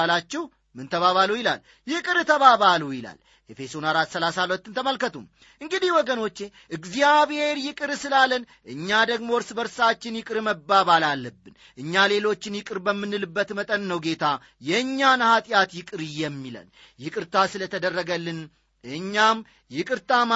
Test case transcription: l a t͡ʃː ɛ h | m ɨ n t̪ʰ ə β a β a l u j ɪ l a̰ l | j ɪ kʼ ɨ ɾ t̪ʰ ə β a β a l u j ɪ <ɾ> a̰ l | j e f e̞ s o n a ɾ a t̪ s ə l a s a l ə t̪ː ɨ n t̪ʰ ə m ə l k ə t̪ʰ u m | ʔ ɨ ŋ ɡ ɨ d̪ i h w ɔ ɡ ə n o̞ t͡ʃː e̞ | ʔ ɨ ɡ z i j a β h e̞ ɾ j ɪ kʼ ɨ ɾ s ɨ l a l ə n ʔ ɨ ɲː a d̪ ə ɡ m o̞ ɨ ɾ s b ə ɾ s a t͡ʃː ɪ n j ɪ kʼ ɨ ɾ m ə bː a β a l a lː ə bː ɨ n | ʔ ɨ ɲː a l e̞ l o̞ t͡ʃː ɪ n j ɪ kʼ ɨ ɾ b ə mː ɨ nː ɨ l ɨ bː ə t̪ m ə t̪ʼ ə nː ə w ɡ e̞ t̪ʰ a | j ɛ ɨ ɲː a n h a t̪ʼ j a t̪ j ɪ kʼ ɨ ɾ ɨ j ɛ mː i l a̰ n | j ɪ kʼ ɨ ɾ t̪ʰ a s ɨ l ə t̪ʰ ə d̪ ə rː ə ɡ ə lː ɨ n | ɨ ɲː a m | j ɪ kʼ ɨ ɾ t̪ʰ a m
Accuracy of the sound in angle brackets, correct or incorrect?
incorrect